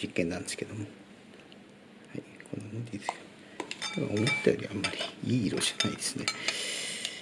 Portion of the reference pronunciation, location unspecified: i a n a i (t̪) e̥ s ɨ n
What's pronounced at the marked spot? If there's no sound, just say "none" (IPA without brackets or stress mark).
d̪